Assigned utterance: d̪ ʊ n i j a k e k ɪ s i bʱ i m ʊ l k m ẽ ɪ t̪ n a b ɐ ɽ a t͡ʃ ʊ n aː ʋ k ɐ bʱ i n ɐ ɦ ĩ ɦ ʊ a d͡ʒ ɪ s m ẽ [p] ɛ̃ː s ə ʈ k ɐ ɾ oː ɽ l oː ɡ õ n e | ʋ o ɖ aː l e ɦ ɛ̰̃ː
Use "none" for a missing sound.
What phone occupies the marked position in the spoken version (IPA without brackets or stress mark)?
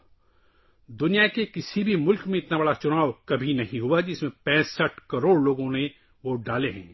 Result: p